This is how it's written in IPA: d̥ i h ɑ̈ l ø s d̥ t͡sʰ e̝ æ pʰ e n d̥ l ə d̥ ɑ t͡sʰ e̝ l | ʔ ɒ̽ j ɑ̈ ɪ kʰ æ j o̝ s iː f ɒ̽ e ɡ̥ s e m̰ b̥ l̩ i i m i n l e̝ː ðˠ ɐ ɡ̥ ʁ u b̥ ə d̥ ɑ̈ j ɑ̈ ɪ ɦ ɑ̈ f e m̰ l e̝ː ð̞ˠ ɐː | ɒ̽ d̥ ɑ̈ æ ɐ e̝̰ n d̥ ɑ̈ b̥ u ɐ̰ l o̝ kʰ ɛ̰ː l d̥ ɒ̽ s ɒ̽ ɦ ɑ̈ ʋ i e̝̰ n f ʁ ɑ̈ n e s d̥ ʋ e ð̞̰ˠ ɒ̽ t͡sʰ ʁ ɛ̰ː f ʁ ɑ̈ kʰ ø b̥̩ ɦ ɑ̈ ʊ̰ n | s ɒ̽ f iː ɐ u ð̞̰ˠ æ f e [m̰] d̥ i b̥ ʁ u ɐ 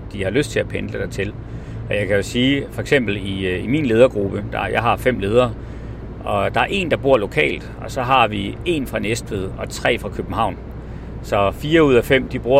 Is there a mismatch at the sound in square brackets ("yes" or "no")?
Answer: no